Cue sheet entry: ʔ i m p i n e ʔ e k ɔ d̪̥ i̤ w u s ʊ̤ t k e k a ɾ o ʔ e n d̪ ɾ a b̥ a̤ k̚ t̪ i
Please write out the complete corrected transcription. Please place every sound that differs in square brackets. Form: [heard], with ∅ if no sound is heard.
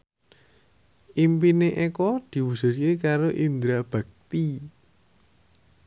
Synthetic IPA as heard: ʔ i m p i n e ʔ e k ɔ d̪̥ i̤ w u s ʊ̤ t k e k a ɾ o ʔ [i] n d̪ ɾ a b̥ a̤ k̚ t̪ i